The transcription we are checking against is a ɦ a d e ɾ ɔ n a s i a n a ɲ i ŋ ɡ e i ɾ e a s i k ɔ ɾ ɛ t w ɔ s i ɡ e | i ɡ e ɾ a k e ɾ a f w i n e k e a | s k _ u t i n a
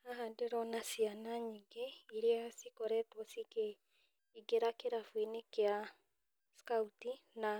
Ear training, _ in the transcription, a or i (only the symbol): a